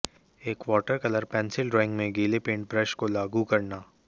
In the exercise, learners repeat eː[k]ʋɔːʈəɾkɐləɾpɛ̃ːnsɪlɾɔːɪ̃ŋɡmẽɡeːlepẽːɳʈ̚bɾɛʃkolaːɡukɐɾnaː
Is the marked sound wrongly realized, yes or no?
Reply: no